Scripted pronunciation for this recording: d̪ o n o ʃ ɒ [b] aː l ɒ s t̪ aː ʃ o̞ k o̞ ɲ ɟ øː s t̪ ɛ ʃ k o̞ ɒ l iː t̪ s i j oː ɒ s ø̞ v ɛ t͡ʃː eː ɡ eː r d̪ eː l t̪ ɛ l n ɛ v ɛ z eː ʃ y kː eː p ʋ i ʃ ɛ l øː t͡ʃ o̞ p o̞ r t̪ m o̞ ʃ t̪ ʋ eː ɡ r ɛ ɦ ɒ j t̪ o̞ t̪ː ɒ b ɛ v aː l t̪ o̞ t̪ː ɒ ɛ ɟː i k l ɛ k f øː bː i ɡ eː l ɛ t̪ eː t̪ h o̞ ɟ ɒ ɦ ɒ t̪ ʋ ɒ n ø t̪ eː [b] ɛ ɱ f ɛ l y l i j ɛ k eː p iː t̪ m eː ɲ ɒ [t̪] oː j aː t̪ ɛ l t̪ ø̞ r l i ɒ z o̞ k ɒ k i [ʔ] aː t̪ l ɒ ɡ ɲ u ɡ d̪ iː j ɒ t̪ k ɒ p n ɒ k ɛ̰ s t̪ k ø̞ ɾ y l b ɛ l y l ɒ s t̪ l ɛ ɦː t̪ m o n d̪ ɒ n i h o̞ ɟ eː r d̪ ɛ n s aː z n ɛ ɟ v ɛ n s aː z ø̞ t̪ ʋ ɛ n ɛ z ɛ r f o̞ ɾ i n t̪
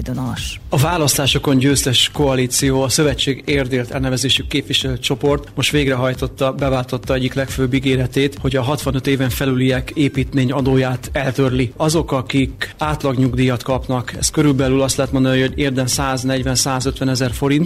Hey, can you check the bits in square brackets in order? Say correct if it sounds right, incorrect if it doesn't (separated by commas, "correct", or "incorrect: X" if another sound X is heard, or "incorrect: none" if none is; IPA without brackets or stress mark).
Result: incorrect: v, incorrect: v, incorrect: d̪, incorrect: k